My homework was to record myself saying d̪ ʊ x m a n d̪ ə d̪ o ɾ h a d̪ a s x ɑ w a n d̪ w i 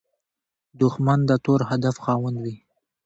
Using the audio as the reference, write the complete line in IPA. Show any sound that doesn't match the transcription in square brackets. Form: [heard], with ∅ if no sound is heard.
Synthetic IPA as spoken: d̪ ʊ x m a n d̪ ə [t̪] o ɾ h a d̪ a [f] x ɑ w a n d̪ w i